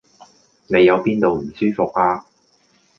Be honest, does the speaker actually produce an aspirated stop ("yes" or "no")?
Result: no